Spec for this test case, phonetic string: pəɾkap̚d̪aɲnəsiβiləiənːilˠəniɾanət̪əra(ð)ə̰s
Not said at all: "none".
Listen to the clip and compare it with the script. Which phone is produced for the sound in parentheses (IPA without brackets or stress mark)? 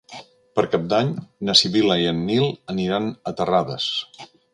ð